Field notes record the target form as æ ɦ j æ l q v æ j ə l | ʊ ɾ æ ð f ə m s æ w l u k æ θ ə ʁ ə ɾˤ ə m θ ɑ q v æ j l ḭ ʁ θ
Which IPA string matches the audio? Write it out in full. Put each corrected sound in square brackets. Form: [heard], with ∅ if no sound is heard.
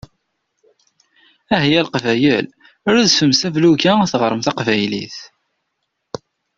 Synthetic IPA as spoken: æ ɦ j æ l q v æ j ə l | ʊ ɾ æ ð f ə m s æ [v] l u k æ θ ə ʁ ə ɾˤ ə m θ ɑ q v æ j l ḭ [∅] θ